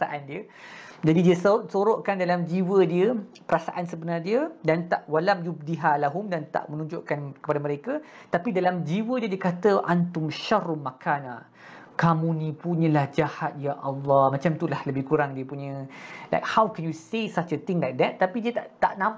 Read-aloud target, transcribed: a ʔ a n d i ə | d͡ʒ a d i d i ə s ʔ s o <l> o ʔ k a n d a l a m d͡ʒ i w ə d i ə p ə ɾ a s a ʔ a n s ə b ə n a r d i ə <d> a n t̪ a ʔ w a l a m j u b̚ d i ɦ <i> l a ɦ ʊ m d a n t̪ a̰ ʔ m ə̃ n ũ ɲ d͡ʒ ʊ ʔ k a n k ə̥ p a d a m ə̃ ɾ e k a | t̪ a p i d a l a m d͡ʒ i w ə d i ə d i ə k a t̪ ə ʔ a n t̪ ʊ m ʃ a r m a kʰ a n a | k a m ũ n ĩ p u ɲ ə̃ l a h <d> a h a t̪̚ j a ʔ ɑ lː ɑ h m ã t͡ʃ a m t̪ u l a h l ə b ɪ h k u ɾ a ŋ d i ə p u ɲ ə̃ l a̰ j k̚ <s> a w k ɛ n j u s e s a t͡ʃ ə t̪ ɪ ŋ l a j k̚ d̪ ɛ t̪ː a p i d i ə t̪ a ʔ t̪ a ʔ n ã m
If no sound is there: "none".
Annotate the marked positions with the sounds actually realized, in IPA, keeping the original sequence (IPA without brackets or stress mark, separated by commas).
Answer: ɾ, d, a, d͡ʒ, h